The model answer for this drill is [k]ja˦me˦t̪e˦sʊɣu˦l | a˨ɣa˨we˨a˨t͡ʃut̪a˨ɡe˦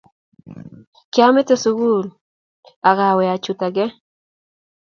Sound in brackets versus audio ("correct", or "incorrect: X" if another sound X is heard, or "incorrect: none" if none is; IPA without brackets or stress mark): correct